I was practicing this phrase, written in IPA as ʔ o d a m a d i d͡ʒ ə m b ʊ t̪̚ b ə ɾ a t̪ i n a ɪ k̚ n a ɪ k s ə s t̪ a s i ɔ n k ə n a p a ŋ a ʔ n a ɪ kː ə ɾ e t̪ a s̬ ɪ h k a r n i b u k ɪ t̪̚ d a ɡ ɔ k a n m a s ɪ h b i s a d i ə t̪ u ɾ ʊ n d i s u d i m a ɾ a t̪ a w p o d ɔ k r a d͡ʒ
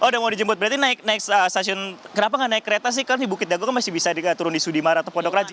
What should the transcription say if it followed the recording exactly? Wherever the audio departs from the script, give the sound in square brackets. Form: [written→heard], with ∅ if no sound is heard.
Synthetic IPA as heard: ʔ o d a m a d i d͡ʒ ə m b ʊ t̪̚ b ə ɾ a t̪ i n a ɪ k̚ n a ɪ k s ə s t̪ a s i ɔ n k ə n a p a ŋ a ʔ n a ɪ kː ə ɾ e t̪ a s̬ ɪ h k a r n i b u k ɪ t̪̚ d a ɡ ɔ k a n m a s ɪ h b i s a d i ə t̪ u ɾ ʊ n d i s u d i m a ɾ a t̪ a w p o d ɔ k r a d͡ʒ